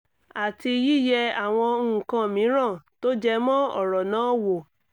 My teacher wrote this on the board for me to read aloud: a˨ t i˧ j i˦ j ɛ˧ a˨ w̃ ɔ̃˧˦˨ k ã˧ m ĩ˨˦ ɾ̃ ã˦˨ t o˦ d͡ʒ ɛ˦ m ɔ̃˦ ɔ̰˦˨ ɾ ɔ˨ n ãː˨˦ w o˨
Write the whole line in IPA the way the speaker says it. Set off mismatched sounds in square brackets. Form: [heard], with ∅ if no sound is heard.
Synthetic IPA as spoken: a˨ t i˧ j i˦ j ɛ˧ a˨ w̃ ɔ̃˧˦˨ k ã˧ m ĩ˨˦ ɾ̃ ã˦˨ t o˦ d͡ʒ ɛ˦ m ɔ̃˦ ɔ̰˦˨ ɾ ɔ˨ n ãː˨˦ w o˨